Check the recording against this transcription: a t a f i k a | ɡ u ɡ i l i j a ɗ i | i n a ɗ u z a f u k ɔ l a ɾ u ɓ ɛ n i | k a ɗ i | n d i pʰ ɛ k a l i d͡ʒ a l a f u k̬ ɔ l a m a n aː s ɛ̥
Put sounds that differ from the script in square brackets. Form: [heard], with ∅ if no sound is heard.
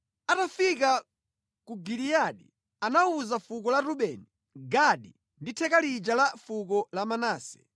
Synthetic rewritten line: a t a f i k a | [k] u ɡ i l i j a ɗ i | [a] n a [∅] u z a f u k ɔ l a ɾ u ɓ ɛ n i | [ɡ] a ɗ i | n d i [tʰ] ɛ k a l i d͡ʒ a l a f u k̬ ɔ l a m a n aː s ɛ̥